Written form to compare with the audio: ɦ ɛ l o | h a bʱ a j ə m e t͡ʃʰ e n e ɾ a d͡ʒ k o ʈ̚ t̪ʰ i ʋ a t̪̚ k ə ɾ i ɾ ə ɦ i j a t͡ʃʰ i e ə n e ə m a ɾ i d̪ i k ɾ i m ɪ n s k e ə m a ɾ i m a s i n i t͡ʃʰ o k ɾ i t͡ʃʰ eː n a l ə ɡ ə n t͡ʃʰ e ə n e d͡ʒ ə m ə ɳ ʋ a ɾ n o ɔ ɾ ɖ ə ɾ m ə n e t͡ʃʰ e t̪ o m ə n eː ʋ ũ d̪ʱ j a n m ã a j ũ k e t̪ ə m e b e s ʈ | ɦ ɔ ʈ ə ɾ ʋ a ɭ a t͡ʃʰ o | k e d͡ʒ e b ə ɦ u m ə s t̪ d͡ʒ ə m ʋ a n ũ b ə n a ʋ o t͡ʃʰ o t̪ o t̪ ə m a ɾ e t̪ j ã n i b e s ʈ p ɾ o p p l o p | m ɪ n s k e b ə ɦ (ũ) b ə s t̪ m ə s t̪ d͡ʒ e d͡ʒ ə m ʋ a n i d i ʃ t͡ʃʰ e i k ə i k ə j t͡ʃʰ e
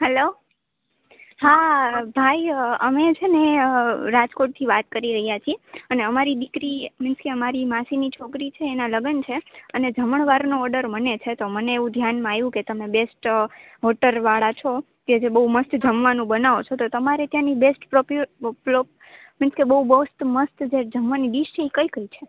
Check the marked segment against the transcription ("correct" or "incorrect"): incorrect